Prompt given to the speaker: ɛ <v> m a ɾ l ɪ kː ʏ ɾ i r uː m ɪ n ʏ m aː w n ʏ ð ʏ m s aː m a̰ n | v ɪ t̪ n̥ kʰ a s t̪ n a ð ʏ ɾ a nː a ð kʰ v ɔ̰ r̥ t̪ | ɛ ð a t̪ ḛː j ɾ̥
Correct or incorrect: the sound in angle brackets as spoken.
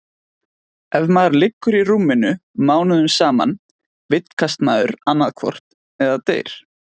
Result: correct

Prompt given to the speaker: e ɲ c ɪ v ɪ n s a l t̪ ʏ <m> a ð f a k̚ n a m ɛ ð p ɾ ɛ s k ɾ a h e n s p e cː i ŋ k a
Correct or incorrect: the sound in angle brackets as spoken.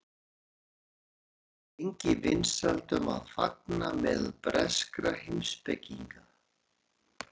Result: correct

